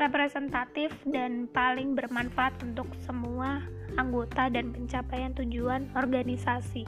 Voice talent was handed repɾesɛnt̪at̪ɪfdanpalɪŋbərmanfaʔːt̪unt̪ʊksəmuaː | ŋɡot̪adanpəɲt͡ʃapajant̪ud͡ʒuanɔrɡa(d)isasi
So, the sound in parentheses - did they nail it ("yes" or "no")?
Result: no